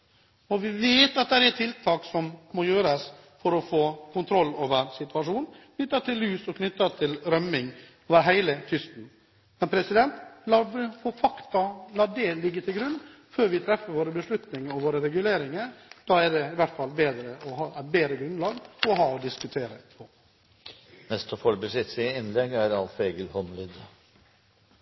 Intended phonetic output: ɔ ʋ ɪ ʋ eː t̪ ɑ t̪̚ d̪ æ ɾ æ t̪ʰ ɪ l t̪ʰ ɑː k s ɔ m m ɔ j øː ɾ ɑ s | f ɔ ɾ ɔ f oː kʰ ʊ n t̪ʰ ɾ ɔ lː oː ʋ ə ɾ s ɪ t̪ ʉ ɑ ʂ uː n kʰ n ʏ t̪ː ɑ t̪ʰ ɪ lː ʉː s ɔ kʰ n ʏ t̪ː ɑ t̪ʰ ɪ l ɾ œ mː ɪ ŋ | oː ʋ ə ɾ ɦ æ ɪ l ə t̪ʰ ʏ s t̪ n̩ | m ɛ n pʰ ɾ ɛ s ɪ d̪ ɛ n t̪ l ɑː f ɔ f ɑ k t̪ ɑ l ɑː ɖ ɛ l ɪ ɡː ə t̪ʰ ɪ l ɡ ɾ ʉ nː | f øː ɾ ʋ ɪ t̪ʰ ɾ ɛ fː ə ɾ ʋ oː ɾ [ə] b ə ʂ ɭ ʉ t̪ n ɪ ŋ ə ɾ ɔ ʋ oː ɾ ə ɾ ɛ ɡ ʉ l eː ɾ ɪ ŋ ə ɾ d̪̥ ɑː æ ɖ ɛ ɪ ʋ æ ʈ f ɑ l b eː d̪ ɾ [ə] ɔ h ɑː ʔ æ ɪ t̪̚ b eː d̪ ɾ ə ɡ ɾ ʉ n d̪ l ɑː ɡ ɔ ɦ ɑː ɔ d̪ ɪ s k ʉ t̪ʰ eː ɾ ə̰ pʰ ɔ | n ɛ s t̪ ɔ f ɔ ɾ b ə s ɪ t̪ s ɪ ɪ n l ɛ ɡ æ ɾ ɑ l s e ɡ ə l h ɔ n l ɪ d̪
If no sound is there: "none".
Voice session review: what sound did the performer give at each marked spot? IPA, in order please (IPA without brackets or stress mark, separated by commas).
ə, ə